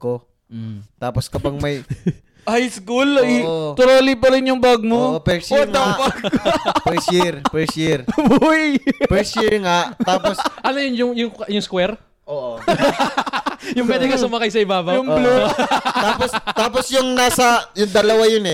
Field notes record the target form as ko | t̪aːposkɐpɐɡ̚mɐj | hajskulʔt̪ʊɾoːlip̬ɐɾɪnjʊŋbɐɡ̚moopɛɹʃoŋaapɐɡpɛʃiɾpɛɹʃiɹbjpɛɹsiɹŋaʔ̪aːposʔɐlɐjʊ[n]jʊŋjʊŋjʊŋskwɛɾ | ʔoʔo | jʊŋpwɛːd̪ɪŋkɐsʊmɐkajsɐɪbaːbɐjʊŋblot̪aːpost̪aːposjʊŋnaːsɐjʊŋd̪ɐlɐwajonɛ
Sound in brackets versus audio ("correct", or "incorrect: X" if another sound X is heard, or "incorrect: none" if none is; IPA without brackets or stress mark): correct